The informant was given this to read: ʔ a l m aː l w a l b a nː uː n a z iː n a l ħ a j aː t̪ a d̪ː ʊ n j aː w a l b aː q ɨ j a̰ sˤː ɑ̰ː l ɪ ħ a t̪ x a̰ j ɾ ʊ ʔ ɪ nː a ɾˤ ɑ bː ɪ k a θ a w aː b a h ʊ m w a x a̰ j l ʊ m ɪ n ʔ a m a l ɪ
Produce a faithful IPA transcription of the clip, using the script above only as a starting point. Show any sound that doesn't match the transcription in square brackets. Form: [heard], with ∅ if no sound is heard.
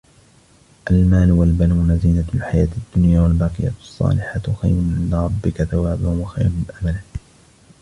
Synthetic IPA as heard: ʔ a l m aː l w a l b a [n] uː n a z iː n a l ħ a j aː t̪ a d̪ː ʊ n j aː w a l b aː q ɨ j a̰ sˤː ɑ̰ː l ɪ ħ a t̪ x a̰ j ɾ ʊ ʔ ɪ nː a ɾˤ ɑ bː ɪ k a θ a w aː b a h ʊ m w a x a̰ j [ɾ] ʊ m ɪ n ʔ a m a l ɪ